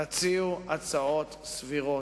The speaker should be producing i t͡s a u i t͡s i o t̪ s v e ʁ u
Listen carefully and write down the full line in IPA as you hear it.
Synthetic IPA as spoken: a t͡s i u a t͡s a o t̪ s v i ʁ o